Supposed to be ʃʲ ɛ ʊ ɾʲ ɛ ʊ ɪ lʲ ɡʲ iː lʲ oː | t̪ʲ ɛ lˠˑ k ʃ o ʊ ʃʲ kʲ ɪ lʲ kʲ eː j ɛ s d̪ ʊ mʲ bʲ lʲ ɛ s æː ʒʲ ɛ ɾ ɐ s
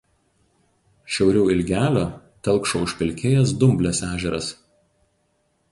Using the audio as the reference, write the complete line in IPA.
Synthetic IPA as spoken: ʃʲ ɛ ʊ ɾʲ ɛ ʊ ɪ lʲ ɡʲ æː lʲ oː | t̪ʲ ɛ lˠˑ k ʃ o ʊ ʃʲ pʲ ɪ lʲ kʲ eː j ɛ s d̪ ʊ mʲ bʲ lʲ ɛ s æː ʒʲ ɛ ɾ ɐ s